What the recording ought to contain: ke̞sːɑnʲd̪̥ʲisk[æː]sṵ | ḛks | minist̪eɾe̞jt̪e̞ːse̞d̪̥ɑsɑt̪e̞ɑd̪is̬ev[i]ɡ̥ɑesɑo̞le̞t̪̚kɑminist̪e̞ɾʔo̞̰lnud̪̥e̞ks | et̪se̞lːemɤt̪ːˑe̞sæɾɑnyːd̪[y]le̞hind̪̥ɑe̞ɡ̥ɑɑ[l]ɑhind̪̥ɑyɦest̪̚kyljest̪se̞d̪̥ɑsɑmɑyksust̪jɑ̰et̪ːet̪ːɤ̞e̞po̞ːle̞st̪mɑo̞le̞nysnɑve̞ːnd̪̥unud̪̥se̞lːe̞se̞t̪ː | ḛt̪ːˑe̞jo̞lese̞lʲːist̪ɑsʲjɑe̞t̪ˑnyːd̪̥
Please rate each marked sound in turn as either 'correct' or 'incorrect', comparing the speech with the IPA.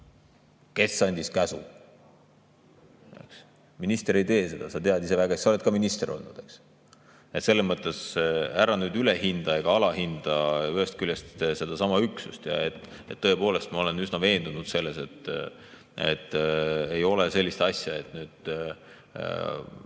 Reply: incorrect: æ, incorrect: æ, correct, correct

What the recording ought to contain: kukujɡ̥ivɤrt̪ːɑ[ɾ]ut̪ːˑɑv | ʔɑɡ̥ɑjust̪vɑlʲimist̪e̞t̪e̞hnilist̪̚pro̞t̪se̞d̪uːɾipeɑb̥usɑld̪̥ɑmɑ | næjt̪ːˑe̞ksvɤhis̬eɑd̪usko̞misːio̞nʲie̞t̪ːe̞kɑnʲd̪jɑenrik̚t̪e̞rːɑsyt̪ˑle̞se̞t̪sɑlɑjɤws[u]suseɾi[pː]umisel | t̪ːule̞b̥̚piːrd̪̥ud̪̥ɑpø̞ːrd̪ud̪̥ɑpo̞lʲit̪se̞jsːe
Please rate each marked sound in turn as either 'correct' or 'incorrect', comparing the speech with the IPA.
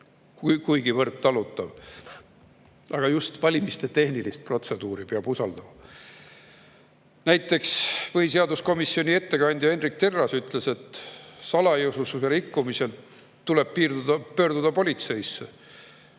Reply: incorrect: l, correct, incorrect: kː

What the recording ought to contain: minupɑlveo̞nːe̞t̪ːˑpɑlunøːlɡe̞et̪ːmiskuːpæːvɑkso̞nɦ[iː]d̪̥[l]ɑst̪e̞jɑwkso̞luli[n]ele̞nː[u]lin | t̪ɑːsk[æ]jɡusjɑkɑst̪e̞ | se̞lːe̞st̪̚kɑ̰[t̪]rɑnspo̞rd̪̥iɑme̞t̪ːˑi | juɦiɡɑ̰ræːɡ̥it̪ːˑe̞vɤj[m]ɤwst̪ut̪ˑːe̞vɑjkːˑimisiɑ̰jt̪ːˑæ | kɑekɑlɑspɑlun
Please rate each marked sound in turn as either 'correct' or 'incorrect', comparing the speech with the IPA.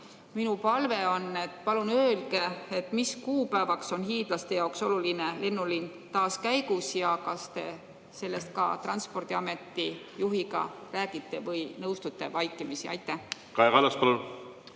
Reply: correct, correct, correct, correct, correct, correct, incorrect: n

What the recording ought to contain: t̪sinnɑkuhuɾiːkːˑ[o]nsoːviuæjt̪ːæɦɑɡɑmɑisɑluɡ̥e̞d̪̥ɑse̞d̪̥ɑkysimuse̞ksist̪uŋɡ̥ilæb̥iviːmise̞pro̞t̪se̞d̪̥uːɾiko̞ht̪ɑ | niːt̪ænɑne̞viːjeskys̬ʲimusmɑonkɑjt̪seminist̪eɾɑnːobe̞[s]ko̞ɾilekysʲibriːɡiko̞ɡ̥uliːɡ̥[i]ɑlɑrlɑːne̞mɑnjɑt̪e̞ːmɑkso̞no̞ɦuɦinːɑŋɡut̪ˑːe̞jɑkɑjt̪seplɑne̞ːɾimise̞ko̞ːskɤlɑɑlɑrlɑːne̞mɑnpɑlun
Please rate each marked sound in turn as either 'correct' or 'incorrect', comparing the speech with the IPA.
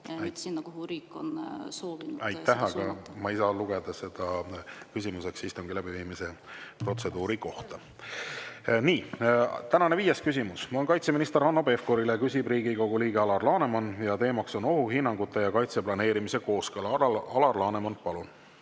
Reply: correct, incorrect: f, incorrect: e

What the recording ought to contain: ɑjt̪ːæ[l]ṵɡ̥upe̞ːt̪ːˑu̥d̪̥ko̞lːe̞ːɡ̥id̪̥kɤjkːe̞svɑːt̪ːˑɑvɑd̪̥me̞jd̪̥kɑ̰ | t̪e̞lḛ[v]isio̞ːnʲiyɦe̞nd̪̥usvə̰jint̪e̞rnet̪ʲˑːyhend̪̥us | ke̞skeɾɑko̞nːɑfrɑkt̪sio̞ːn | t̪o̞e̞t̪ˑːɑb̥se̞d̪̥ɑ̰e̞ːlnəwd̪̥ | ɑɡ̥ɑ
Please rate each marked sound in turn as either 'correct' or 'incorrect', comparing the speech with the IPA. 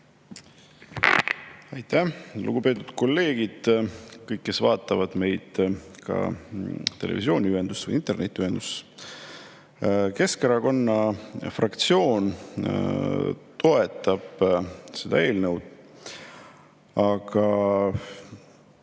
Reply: correct, correct

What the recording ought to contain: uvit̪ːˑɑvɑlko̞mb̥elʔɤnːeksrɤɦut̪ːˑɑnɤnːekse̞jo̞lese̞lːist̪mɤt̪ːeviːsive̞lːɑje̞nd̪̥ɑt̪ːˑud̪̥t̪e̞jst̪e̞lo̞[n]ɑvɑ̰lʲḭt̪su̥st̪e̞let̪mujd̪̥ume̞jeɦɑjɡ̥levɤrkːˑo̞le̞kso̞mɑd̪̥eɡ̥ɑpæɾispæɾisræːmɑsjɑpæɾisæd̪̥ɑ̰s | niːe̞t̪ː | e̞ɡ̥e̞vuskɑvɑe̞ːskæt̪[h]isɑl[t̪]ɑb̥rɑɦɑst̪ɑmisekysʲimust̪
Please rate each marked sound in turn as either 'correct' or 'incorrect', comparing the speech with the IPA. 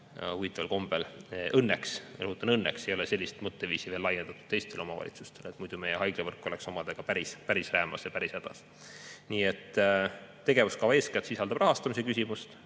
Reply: incorrect: m, incorrect: s, incorrect: d̪

